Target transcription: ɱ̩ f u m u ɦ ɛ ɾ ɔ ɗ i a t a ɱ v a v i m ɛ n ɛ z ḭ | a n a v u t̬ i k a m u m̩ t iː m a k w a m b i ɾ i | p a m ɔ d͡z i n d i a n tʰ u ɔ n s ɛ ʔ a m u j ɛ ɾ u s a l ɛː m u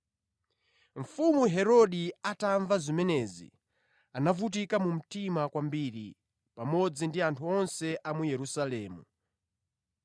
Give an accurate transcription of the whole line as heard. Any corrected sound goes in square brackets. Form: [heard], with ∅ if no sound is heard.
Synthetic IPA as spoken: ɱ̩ f u m u ɦ ɛ ɾ ɔ ɗ i a t a ɱ v a [z] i m ɛ n ɛ z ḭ | a n a v u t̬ i k a m u m̩ t [i] m a k w a m b i ɾ i | p a m ɔ d͡z i n d i a n tʰ u ɔ n s ɛ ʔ a m u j ɛ ɾ u s a l ɛː m u